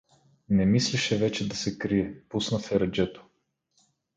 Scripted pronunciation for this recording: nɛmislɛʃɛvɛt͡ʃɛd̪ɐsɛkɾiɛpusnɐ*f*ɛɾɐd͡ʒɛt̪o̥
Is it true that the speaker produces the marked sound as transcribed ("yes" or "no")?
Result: yes